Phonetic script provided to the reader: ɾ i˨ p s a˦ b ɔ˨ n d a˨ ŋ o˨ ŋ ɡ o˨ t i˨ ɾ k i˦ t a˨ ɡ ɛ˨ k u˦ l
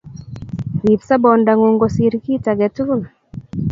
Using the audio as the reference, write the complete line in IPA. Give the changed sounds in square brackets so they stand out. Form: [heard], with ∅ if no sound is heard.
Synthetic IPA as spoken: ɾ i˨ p s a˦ b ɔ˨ n d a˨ ŋ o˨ ŋ ɡ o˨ [s] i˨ ɾ k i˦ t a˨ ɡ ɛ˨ [t] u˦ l